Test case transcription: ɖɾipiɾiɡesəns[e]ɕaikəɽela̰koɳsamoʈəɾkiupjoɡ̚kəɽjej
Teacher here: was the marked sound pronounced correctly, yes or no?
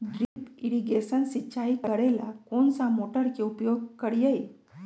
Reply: no